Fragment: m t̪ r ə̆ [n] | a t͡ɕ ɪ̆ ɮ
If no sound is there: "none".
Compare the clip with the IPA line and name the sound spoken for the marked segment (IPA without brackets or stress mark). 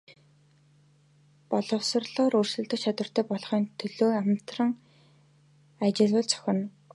ŋ